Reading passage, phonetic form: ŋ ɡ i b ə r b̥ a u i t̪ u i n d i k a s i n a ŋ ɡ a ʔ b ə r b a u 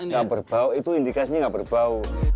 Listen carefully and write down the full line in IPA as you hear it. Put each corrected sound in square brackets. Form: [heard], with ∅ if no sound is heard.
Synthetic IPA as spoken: ŋ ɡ [a] b ə r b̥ a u i t̪ u i n d i k a s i [ɲ] a ŋ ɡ a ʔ b ə r b a u